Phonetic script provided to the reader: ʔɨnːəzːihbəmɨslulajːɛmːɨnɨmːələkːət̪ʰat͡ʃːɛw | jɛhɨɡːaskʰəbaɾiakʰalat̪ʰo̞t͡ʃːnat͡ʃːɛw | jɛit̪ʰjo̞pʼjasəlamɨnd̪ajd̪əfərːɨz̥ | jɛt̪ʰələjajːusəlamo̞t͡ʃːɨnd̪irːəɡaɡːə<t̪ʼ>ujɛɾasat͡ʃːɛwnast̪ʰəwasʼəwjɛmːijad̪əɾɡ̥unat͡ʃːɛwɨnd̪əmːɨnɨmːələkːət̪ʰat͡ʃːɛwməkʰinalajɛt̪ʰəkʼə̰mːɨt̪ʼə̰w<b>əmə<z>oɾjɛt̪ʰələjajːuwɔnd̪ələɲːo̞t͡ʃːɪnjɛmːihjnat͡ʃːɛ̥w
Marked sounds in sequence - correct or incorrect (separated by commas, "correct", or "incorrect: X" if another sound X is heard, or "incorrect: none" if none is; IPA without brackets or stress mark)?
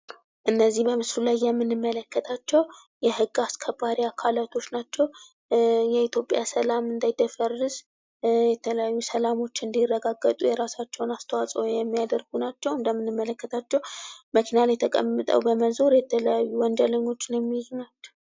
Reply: correct, correct, correct